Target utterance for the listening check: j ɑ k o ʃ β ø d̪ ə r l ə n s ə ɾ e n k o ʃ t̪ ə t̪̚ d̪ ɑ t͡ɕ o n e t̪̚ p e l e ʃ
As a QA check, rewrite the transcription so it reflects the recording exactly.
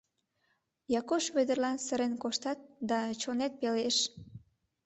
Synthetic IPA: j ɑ k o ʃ β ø d̪ ə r l ɑ n s ə ɾ e n k o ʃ t̪ ɑ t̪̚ d̪ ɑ t͡ɕ o n e t̪̚ p e l e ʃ